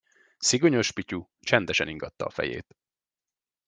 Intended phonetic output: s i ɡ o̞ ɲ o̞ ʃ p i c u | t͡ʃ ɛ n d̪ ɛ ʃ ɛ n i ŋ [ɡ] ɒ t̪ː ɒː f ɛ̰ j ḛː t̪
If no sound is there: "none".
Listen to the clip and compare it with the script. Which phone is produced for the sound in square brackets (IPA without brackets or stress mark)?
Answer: ɡ